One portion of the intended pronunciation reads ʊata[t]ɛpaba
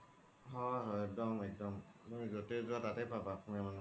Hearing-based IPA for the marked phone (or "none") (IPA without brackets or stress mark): t